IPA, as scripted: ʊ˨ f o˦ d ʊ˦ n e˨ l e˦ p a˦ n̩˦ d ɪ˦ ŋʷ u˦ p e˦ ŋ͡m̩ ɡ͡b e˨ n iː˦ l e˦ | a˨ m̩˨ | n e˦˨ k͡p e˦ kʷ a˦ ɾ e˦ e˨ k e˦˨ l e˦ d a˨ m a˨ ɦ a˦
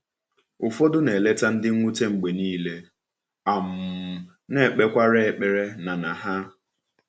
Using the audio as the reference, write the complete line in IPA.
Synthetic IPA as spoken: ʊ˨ f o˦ d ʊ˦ n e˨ l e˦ t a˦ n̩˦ d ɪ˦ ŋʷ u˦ t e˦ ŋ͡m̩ ɡ͡b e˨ n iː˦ l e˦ | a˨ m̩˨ | n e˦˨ k͡p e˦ kʷ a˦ ɾ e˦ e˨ k͡p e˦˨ ɾ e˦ n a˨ n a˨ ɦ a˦